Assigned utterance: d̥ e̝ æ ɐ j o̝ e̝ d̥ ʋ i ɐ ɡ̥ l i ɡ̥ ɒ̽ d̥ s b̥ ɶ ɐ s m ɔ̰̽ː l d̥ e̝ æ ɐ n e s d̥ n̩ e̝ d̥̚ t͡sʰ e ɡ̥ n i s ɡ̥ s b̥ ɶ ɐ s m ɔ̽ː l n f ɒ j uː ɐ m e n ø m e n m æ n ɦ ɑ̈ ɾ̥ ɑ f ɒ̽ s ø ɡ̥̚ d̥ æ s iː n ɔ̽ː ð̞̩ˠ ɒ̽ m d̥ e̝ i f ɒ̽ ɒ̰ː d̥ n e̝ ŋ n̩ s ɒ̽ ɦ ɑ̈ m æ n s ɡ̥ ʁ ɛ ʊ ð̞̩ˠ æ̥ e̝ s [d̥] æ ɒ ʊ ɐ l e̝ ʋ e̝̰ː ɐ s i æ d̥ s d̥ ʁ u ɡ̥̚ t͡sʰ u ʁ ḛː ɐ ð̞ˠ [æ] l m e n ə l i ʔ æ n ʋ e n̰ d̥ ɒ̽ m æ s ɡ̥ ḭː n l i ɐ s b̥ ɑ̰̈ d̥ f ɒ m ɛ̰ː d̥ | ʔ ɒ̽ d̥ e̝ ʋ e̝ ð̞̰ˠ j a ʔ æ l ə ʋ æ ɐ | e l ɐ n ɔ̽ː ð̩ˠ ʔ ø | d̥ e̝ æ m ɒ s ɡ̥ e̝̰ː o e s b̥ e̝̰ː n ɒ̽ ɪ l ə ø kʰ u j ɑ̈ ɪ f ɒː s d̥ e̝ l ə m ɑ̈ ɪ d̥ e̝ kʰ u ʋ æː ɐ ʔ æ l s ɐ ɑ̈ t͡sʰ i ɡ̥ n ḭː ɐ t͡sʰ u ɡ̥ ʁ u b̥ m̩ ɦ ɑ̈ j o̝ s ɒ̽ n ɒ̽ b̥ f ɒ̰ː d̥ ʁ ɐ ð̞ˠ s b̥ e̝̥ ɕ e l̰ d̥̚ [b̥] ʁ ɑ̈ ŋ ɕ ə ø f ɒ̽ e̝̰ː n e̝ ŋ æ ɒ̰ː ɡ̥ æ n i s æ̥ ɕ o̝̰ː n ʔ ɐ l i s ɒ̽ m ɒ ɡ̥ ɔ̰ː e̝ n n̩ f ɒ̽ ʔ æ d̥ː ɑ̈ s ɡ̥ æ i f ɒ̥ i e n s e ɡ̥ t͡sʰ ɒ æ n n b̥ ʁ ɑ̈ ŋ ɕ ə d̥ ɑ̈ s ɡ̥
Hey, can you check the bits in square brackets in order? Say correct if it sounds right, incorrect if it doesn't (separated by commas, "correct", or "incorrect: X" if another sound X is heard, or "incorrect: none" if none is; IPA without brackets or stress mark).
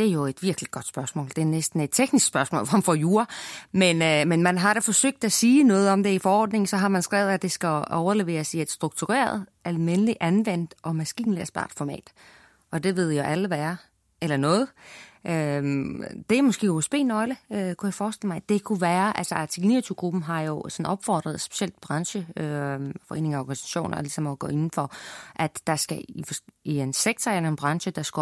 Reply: incorrect: ɡ̥, correct, correct